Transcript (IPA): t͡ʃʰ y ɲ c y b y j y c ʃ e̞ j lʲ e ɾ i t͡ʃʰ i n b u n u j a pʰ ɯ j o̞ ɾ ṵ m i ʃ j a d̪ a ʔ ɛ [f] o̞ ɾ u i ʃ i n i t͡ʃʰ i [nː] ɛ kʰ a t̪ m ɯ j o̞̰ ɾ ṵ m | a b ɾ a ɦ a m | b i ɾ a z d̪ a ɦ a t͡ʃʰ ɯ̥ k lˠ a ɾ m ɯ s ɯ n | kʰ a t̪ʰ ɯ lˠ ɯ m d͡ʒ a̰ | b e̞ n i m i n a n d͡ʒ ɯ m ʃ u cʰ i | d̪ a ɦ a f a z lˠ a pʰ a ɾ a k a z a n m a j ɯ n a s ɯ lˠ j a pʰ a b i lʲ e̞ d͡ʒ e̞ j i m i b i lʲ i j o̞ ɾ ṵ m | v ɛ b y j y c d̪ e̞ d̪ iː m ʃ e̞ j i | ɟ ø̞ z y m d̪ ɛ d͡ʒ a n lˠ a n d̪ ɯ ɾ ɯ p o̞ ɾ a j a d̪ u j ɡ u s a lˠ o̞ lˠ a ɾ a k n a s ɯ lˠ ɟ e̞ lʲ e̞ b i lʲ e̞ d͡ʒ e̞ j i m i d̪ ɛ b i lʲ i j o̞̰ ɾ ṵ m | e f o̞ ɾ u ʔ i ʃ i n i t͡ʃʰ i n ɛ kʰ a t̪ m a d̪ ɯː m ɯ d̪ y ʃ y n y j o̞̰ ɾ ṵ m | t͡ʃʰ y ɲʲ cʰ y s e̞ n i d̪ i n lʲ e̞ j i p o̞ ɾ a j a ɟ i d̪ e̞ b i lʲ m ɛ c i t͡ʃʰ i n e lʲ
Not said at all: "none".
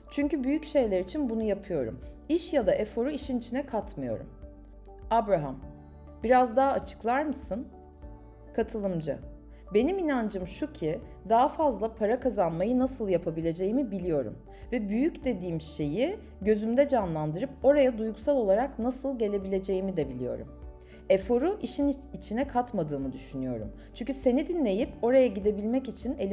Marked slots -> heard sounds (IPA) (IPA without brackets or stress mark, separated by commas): f, n